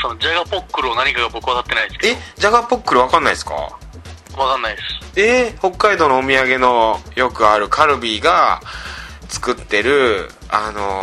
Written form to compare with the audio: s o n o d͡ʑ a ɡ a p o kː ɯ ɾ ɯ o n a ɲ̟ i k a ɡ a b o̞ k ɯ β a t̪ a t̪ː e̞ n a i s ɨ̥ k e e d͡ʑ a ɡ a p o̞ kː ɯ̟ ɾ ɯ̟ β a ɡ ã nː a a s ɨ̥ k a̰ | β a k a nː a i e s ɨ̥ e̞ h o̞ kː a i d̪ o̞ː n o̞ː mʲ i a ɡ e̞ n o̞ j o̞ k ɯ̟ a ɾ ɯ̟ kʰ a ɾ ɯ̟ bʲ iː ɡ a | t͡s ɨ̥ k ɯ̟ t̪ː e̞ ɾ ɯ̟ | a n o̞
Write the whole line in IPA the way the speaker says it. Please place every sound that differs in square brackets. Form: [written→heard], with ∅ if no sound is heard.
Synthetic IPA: s o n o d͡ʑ a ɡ a p o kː ɯ ɾ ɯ o n a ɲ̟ i k a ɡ a b o̞ k ɯ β a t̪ a t̪ː e̞ n a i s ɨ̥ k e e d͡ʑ a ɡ a p o̞ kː ɯ̟ ɾ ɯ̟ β a [ɡ→k] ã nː a [a→i] s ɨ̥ k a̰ | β a k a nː a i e s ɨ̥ e̞ h o̞ kː a i d̪ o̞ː n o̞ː mʲ i a ɡ e̞ n o̞ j o̞ k ɯ̟ a ɾ ɯ̟ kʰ a ɾ ɯ̟ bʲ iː ɡ a | t͡s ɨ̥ k ɯ̟ t̪ː e̞ ɾ ɯ̟ | a n o̞